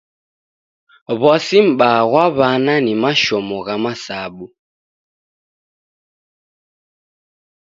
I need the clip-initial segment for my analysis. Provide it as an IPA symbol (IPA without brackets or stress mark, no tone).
β